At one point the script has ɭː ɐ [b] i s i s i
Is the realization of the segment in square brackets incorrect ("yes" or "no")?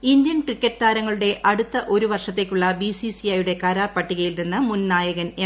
no